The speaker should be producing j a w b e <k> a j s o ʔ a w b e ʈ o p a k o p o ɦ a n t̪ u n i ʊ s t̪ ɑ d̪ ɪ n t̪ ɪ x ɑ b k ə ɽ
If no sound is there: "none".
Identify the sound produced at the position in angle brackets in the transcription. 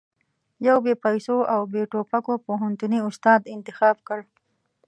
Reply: p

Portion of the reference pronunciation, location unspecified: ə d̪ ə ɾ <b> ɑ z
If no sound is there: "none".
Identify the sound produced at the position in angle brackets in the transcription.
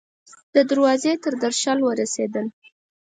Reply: w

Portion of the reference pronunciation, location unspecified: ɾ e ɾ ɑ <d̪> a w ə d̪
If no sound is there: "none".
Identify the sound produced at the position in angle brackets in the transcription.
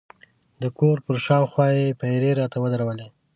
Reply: t̪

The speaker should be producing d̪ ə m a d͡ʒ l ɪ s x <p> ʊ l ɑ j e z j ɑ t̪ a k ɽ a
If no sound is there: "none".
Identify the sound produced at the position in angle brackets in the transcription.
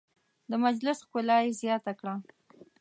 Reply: k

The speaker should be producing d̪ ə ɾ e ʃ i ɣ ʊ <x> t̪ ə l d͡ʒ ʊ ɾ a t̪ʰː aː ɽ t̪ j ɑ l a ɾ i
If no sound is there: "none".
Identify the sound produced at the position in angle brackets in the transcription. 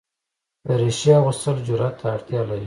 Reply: s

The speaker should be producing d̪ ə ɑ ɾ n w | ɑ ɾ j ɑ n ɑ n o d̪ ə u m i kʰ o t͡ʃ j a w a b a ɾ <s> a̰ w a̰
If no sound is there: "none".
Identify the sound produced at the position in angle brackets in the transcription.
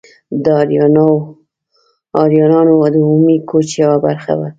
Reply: x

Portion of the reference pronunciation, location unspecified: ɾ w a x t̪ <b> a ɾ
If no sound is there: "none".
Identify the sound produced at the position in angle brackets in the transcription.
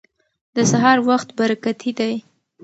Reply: b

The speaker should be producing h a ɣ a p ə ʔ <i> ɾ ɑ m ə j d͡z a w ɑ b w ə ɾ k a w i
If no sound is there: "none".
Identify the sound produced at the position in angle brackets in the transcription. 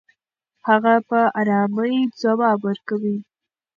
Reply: a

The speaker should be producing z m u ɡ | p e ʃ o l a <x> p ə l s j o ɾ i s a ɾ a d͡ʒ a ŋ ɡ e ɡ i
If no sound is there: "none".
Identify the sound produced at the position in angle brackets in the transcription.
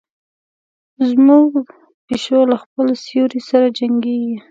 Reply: x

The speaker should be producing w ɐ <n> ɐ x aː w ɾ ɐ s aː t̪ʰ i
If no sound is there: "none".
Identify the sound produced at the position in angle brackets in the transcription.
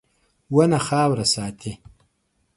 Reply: n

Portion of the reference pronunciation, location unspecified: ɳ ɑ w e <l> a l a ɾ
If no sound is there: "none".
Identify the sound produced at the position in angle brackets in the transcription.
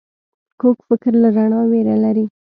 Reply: ɾ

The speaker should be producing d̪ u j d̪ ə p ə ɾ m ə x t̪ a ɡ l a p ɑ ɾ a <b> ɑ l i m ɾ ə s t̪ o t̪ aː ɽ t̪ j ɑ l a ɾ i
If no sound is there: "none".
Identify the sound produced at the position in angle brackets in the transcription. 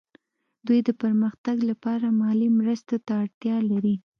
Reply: m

